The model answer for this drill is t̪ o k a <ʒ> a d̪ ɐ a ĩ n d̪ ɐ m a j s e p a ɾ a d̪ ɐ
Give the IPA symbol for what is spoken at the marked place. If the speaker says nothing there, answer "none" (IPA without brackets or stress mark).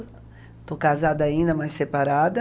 z